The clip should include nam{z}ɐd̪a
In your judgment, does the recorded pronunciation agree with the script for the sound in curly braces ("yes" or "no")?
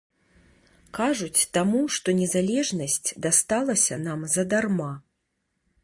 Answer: yes